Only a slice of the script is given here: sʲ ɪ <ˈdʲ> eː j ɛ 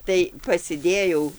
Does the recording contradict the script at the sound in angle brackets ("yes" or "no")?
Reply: no